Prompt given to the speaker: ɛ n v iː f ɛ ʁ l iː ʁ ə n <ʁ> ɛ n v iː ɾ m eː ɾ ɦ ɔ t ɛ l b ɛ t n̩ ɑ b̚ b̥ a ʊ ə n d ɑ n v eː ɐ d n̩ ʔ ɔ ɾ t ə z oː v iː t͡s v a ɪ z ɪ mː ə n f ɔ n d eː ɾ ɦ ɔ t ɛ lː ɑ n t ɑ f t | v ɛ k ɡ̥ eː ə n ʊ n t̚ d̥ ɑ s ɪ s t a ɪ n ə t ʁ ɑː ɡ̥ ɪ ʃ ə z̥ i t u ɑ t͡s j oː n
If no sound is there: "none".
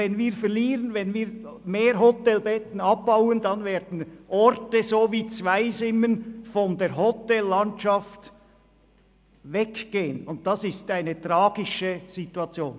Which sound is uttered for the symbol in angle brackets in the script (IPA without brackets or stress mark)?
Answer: v